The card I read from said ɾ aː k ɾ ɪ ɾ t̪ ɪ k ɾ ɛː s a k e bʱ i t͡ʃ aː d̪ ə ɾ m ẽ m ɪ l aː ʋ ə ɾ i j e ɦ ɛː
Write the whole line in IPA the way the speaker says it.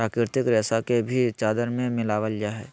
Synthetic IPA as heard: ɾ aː k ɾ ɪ ɾ t̪ ɪ k ɾ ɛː s a k e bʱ i t͡ʃ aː d̪ ə ɾ m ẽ m ɪ l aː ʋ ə l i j a ɦ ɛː